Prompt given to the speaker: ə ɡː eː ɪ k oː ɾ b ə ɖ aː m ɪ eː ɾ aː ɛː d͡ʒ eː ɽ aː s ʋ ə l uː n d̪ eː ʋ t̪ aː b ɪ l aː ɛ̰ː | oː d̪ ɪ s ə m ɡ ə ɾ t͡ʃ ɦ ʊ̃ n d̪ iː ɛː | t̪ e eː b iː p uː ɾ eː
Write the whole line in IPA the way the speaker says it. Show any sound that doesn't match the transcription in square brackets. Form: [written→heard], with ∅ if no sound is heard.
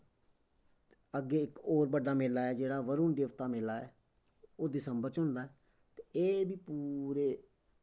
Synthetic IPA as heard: ə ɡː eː ɪ k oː ɾ b ə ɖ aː m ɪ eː [ɾ→l] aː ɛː d͡ʒ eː ɽ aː [s→∅] ʋ ə [l→ɾ] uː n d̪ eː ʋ t̪ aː [b→m] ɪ l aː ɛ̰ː | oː d̪ ɪ s ə m [ɡ→b] ə ɾ t͡ʃ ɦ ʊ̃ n d̪ [iː→aː] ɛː | t̪ e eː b iː p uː ɾ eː